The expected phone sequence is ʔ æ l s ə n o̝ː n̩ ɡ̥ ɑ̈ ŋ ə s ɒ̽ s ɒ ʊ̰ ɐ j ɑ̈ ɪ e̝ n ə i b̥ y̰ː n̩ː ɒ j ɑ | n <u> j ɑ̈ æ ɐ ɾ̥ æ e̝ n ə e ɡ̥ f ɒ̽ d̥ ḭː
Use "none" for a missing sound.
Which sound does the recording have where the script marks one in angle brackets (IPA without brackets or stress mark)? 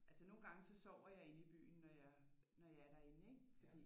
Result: ɒ